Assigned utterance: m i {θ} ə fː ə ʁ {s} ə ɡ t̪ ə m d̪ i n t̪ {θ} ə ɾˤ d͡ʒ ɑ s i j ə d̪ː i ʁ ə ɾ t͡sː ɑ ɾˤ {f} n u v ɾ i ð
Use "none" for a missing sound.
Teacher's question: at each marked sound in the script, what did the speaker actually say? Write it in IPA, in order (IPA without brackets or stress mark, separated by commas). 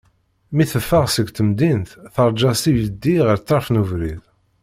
θ, s, θ, f